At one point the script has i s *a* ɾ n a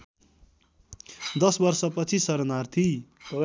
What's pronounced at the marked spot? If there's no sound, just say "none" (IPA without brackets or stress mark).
ʌ